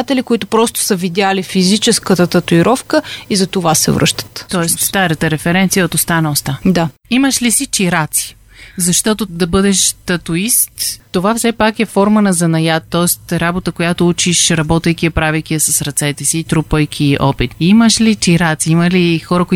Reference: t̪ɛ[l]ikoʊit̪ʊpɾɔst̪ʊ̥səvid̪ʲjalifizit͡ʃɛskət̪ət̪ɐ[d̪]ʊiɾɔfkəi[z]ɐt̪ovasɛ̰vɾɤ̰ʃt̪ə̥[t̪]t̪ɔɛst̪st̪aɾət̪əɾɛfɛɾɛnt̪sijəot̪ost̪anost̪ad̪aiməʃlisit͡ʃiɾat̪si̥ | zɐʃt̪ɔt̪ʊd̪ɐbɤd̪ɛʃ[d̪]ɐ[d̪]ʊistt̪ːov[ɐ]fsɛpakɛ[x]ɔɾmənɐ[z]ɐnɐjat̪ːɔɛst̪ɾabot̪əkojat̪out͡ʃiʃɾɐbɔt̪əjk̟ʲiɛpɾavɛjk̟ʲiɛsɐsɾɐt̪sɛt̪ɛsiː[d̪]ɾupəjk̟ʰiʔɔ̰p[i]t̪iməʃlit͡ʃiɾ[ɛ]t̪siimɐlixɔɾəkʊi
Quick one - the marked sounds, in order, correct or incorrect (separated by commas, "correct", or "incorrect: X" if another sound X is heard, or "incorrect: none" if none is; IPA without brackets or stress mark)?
correct, incorrect: t̪, correct, correct, incorrect: t̪, incorrect: t̪, incorrect: a, incorrect: f, correct, incorrect: t̪, correct, incorrect: a